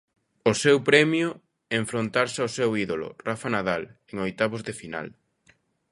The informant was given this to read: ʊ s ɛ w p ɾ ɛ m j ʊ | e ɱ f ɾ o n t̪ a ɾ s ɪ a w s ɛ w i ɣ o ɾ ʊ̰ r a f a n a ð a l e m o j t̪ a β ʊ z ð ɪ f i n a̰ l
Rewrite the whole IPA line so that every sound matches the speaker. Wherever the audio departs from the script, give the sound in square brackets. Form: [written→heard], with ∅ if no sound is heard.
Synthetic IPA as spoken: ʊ s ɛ w p ɾ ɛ m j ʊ | e ɱ f ɾ o n t̪ a ɾ s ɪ a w s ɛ w i [ɣ→ð] o [ɾ→l] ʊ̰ r a f a n a ð a l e [m→ŋ] o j t̪ a β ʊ z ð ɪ f i n a̰ l